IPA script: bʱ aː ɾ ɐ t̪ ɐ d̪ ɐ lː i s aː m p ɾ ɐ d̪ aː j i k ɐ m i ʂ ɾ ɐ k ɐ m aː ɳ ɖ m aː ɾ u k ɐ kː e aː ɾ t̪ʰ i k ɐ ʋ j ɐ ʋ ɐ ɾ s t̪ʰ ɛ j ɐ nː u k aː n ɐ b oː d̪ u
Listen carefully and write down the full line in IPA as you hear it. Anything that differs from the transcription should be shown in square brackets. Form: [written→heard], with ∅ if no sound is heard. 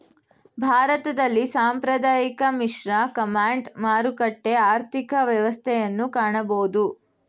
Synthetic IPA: bʱ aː ɾ ɐ t̪ ɐ d̪ ɐ lː i s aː m p ɾ ɐ d̪ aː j i k ɐ m i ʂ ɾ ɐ k ɐ m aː ɳ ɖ m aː ɾ u k ɐ [kː→ʈː] e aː ɾ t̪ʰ i k ɐ ʋ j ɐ ʋ ɐ [ɾ→∅] s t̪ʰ ɛ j ɐ nː u k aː [n→ɳ] ɐ b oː d̪ u

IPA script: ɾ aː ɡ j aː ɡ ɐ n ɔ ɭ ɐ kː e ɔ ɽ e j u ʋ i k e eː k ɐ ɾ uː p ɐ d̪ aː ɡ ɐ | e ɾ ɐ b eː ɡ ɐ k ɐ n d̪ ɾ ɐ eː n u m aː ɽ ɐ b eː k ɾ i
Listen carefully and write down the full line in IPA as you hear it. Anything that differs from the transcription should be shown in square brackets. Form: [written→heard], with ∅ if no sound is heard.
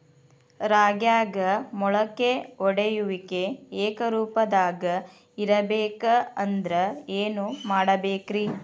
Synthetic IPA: ɾ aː ɡ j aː ɡ ɐ [n→m] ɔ ɭ ɐ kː e ɔ ɽ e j u ʋ i k e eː k ɐ ɾ uː p ɐ d̪ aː ɡ ɐ | [e→i] ɾ ɐ b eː [ɡ→k] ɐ [k→∅] ɐ n d̪ ɾ ɐ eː n u m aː ɽ ɐ b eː k ɾ i

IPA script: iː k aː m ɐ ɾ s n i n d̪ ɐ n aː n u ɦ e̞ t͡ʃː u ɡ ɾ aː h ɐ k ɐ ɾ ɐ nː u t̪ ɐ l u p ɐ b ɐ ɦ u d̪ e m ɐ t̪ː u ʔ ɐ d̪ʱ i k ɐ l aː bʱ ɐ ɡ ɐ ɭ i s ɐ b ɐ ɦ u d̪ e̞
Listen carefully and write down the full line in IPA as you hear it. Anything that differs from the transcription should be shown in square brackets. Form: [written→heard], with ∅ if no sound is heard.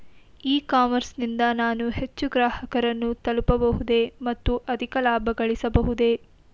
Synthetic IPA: iː k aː m ɐ ɾ s n i n d̪ ɐ n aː n u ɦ e̞ t͡ʃː u ɡ ɾ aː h ɐ k ɐ ɾ ɐ nː u t̪ ɐ l u p ɐ b ɐ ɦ u d̪ e m ɐ t̪ː u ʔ ɐ d̪ʱ i k ɐ l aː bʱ ɐ ɡ ɐ ɭ i s ɐ b ɐ ɦ u d̪ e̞

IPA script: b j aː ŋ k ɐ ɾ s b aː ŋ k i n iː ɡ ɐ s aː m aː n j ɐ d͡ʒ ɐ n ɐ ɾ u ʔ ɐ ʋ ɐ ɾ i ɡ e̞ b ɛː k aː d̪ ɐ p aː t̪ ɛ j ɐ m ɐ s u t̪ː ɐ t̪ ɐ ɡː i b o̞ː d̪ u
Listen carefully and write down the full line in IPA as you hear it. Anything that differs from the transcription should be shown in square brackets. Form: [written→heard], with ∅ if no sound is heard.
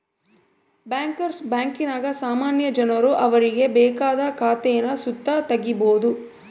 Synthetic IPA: b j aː ŋ k ɐ ɾ s b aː ŋ k i n [iː→aː] ɡ ɐ s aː m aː n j ɐ d͡ʒ ɐ n ɐ ɾ u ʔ ɐ ʋ ɐ ɾ i ɡ e̞ b ɛː k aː d̪ ɐ [p→k] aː t̪ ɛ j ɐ [m→n] ɐ s u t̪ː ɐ t̪ ɐ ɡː i b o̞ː d̪ u

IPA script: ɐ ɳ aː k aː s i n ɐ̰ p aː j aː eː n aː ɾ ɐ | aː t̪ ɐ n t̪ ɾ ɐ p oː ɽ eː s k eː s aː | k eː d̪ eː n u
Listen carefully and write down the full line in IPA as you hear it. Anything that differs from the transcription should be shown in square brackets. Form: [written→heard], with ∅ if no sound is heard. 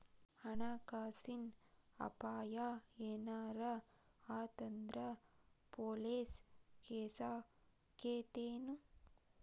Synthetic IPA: ɐ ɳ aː k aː s i n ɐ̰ p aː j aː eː n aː ɾ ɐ | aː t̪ ɐ n [t̪→d̪] ɾ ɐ p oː [ɽ→l] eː s k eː s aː | k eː [d̪→t̪] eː n u

